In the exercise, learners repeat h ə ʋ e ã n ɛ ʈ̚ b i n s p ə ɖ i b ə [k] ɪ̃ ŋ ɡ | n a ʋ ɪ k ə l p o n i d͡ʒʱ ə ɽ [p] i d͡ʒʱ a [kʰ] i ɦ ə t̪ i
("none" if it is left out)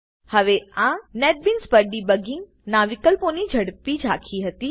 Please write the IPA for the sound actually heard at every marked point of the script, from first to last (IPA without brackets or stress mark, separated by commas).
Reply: ɡ, p, kʰ